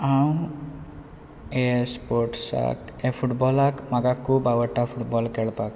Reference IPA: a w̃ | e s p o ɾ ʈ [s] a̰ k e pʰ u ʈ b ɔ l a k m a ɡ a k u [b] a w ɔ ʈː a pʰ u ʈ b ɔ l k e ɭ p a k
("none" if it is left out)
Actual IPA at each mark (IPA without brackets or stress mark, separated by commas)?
s, b